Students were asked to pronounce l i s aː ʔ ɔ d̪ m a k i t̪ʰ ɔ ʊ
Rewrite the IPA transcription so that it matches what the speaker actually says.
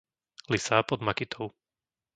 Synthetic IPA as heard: l i s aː p ɔ d̪ m a k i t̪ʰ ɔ ʊ